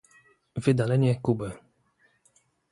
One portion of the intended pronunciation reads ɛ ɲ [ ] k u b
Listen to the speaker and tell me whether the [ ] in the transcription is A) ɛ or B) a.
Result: A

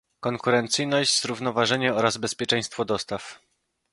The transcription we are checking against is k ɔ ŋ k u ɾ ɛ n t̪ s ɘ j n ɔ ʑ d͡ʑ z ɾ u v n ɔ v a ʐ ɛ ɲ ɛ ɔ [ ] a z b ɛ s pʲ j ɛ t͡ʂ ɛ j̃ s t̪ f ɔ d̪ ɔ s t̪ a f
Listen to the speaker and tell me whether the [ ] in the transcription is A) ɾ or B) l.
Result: A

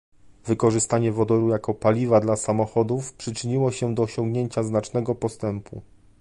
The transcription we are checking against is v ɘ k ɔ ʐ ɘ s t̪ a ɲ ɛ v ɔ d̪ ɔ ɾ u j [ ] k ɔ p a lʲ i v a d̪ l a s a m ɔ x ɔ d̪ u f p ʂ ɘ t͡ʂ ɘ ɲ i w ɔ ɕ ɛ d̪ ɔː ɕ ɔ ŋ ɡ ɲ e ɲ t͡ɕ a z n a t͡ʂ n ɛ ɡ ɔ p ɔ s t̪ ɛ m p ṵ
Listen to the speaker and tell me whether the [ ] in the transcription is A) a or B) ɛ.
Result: A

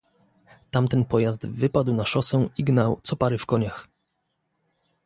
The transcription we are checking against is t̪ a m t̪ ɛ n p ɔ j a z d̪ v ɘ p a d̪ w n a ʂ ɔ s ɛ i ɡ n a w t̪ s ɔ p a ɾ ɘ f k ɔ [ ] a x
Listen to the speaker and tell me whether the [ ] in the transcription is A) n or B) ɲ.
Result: B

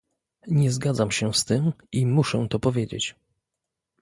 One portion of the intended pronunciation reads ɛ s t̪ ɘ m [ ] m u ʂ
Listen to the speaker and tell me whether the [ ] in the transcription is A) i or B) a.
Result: A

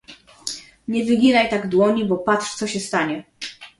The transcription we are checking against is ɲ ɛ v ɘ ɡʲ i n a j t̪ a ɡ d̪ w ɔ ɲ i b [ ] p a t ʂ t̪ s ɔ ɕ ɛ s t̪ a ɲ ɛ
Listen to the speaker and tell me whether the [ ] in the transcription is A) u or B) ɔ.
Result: B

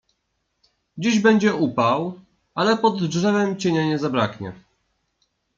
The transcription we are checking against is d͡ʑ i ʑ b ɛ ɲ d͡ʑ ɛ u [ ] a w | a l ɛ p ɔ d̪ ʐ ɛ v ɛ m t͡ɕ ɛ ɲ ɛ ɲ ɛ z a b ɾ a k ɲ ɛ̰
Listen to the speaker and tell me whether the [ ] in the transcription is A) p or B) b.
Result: A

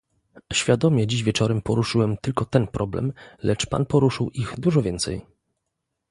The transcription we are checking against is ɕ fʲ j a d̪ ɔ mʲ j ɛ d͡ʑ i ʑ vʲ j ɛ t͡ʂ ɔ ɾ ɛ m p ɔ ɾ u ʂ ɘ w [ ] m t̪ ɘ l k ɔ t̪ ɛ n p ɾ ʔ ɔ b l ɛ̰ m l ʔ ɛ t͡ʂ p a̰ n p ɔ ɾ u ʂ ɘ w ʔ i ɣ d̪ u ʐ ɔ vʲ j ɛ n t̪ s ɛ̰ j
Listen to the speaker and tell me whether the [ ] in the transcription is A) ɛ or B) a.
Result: A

